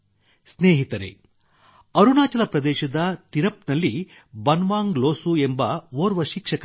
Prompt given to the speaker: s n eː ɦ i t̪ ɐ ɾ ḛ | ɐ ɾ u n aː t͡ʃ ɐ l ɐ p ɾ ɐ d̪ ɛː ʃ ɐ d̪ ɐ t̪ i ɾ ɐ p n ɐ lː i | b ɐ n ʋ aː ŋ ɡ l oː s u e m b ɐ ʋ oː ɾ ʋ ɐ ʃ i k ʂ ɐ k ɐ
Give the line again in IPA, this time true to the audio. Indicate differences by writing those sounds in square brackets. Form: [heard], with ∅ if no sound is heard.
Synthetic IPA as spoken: s n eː ɦ i t̪ ɐ ɾ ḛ | ɐ ɾ u n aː t͡ʃ ɐ l ɐ p ɾ ɐ d̪ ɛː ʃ ɐ d̪ ɐ t̪ i ɾ ɐ p n ɐ lː i | b ɐ n ʋ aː ŋ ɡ l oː s u e m b ɐ ʋ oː ɾ ʋ ɐ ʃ i k ʂ ɐ k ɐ